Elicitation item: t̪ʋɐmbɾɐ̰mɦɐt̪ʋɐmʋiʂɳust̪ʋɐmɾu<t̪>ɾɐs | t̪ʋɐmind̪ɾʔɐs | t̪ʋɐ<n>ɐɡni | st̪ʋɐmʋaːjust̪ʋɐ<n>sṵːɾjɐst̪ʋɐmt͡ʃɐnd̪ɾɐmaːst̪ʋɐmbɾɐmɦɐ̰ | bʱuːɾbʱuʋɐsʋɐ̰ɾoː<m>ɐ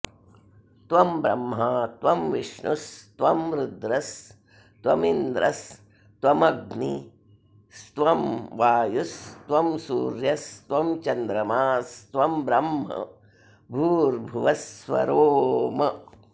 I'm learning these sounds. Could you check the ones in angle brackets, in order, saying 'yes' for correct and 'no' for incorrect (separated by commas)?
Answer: no, no, no, yes